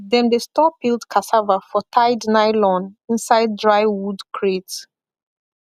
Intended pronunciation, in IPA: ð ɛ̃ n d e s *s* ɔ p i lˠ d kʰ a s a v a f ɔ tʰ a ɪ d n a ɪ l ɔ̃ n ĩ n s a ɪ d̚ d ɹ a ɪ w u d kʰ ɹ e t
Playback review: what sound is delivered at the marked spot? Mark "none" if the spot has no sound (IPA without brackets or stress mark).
t